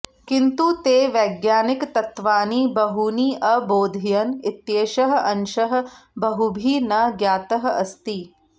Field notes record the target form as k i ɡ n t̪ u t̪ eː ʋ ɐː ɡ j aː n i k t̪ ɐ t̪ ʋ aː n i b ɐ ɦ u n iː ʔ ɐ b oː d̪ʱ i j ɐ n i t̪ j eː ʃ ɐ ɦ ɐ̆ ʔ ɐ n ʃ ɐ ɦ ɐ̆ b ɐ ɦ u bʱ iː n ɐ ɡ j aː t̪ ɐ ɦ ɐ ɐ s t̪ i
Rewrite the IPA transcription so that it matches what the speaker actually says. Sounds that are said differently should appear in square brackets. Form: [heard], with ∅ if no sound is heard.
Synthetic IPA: k i [∅] n t̪ u t̪ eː ʋ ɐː ɡ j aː n i k t̪ ɐ t̪ ʋ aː n i b ɐ ɦ u n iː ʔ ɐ b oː d̪ʱ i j ɐ n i t̪ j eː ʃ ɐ ɦ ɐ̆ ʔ ɐ n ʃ ɐ ɦ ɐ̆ b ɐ ɦ u bʱ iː n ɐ ɡ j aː t̪ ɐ ɦ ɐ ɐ s t̪ i

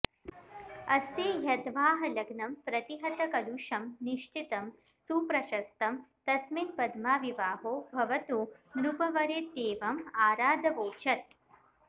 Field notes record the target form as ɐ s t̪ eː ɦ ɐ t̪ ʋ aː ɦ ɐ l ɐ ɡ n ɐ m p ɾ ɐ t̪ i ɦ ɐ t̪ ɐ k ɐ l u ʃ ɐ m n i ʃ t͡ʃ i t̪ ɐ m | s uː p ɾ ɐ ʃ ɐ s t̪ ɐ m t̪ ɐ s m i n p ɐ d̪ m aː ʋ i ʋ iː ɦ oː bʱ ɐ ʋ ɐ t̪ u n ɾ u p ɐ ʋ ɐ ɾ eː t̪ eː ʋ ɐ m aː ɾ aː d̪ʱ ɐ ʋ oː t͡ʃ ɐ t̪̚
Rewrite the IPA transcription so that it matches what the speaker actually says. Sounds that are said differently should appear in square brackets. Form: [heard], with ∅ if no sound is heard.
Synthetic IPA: ɐ s t̪ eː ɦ ɐ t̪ ʋ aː ɦ ɐ l ɐ ɡ n ɐ m p ɾ ɐ t̪ i ɦ ɐ t̪ ɐ k ɐ l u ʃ ɐ m n i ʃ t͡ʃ i t̪ ɐ m | s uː p ɾ ɐ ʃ ɐ s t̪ ɐ m t̪ ɐ s m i n p ɐ d̪ m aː ʋ i ʋ [aː] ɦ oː bʱ ɐ ʋ ɐ t̪ u n ɾ u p ɐ ʋ ɐ ɾ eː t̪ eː ʋ ɐ m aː ɾ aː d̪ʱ ɐ ʋ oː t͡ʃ ɐ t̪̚

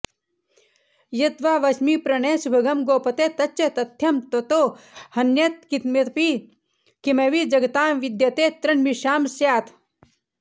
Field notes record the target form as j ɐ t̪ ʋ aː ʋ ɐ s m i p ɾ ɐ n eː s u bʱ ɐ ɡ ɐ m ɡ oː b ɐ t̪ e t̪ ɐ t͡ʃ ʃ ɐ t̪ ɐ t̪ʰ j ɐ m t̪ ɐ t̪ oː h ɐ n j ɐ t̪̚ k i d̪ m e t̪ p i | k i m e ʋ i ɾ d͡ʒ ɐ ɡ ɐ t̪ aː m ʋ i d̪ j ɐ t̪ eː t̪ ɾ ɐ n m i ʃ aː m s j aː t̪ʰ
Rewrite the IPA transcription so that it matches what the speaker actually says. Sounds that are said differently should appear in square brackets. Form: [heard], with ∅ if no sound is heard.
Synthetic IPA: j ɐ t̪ ʋ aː ʋ ɐ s m i p ɾ ɐ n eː s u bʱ ɐ ɡ ɐ m ɡ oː [p] ɐ t̪ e t̪ ɐ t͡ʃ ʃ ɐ t̪ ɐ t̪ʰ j ɐ m t̪ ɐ t̪ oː h ɐ n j ɐ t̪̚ k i [t̪] m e t̪ p i | k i m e ʋ i [∅] d͡ʒ ɐ ɡ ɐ t̪ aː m ʋ i d̪ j ɐ t̪ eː t̪ ɾ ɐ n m i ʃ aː m s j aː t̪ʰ

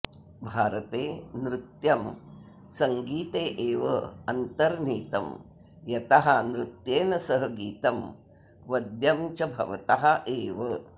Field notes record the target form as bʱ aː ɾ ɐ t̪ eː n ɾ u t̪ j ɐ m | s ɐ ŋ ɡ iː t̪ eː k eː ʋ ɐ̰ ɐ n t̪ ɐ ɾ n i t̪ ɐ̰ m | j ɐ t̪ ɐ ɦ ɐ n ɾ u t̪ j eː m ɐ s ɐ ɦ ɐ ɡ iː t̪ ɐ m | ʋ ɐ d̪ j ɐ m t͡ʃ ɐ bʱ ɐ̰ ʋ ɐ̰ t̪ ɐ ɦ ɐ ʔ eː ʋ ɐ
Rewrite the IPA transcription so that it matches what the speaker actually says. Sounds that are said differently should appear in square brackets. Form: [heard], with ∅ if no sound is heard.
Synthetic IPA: bʱ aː ɾ ɐ t̪ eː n ɾ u t̪ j ɐ m | s ɐ ŋ ɡ iː t̪ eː [ʔ] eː ʋ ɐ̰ ɐ n t̪ ɐ ɾ n [iː] t̪ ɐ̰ m | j ɐ t̪ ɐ ɦ ɐ n ɾ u t̪ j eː [n] ɐ s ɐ ɦ ɐ ɡ iː t̪ ɐ m | ʋ ɐ d̪ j ɐ m t͡ʃ ɐ bʱ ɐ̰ ʋ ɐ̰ t̪ ɐ ɦ ɐ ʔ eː ʋ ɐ

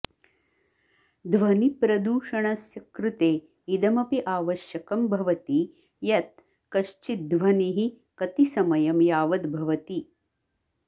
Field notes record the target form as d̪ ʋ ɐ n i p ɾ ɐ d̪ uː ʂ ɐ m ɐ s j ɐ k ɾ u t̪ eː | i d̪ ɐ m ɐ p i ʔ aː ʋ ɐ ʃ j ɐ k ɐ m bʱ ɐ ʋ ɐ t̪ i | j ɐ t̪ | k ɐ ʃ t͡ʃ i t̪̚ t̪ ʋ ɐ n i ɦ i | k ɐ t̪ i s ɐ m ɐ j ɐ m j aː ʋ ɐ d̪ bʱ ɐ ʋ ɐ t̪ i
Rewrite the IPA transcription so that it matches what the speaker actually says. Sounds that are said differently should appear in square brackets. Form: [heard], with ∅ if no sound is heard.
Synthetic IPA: d̪ ʋ ɐ n i p ɾ ɐ d̪ uː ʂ ɐ [ɳ] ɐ s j ɐ k ɾ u t̪ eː | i d̪ ɐ m ɐ p i ʔ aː ʋ ɐ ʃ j ɐ k ɐ m bʱ ɐ ʋ ɐ t̪ i | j ɐ t̪ | k ɐ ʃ t͡ʃ i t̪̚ [d̪] ʋ ɐ n i ɦ i | k ɐ t̪ i s ɐ m ɐ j ɐ m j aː ʋ ɐ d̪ bʱ ɐ ʋ ɐ t̪ i

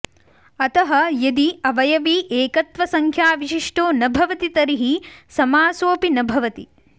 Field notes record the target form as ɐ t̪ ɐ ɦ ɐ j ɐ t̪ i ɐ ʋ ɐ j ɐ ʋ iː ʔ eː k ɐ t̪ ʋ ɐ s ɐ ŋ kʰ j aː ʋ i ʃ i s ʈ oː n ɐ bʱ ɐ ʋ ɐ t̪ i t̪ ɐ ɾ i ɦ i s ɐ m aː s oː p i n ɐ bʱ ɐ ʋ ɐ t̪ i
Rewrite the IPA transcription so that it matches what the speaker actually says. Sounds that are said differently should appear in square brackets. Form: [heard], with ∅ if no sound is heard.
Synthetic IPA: ɐ t̪ ɐ ɦ ɐ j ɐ [d̪] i ɐ ʋ ɐ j ɐ ʋ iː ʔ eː k ɐ t̪ ʋ ɐ s ɐ ŋ kʰ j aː ʋ i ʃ i [ʂ] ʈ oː n ɐ bʱ ɐ ʋ ɐ t̪ i t̪ ɐ ɾ i ɦ i s ɐ m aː s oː p i n ɐ bʱ ɐ ʋ ɐ t̪ i

